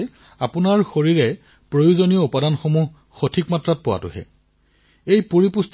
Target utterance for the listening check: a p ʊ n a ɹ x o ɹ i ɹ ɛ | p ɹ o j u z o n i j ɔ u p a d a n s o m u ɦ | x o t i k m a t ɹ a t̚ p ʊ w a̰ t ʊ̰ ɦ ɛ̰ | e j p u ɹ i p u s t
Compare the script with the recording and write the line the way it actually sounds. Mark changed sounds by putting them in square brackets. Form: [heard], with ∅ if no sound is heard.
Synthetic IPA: a p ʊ n a ɹ x o ɹ i ɹ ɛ | p ɹ o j u z o n i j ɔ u p a d a n [x] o m u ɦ | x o [tʰ] i k m a t ɹ a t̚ p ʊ w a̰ t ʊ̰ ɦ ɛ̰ | e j p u ɹ i p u s t